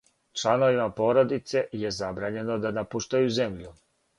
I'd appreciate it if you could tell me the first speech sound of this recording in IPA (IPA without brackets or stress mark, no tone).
t͡ʃ